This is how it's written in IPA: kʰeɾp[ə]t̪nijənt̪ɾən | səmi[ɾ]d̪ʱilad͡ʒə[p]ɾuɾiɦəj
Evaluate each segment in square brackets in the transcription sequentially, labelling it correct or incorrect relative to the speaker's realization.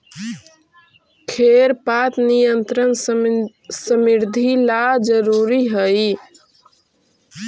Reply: incorrect: a, correct, incorrect: none

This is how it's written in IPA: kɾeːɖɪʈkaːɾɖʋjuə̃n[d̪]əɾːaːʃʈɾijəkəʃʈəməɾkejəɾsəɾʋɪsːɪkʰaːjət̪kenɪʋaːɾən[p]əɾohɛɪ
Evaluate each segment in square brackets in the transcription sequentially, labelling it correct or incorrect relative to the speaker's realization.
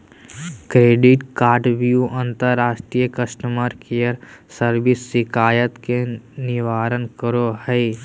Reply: incorrect: t̪, incorrect: k

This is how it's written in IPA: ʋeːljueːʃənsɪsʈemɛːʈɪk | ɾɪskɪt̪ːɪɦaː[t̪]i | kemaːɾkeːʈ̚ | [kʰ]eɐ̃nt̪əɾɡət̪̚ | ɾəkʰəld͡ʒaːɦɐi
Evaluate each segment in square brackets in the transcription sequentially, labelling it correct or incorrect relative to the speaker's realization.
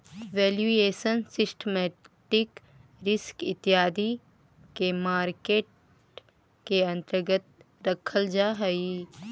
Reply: incorrect: d̪, incorrect: k

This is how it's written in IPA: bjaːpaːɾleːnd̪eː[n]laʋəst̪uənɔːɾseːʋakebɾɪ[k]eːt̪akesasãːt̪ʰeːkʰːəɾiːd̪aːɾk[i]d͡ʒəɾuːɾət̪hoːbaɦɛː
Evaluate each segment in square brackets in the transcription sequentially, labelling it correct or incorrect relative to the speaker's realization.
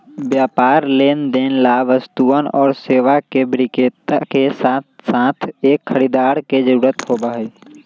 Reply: correct, correct, incorrect: e

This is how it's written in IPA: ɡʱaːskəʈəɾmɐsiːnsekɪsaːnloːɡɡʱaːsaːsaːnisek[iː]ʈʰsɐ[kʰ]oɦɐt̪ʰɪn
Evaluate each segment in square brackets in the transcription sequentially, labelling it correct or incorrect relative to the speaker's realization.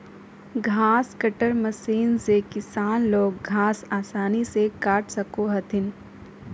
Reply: incorrect: aː, incorrect: k

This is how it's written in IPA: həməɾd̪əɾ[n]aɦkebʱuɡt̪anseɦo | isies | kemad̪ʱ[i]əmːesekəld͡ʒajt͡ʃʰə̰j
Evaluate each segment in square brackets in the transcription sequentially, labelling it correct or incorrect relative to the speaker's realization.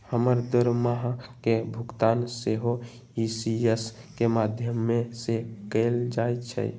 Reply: incorrect: m, incorrect: j

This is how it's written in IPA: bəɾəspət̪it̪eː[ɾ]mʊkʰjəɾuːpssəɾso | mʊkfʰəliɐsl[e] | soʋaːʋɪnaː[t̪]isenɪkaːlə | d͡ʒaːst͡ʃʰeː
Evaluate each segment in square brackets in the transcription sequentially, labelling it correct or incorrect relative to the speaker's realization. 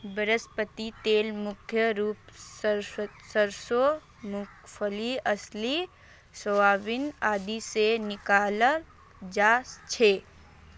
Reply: incorrect: l, incorrect: i, incorrect: d̪

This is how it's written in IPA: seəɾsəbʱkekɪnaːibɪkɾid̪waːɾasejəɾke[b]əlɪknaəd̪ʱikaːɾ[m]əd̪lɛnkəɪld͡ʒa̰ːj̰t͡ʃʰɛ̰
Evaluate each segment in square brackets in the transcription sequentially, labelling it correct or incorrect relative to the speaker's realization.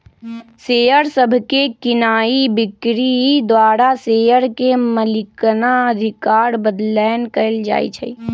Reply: incorrect: m, incorrect: b

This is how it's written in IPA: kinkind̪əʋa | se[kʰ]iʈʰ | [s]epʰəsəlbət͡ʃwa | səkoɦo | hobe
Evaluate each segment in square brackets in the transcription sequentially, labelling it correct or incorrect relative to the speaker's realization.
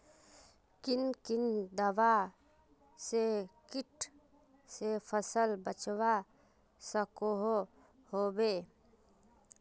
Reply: incorrect: k, correct

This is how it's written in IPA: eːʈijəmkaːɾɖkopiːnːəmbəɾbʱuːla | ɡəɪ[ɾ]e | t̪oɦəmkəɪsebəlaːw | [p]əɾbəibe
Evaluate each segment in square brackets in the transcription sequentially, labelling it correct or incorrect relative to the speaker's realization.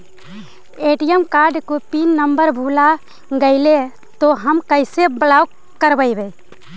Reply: incorrect: l, incorrect: k

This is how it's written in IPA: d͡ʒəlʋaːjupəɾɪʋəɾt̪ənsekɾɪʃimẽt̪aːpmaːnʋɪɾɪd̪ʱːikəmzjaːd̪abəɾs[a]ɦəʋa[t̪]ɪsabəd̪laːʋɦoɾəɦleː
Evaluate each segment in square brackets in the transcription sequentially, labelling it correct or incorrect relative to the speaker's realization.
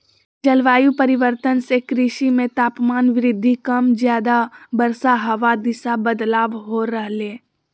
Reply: correct, incorrect: d̪

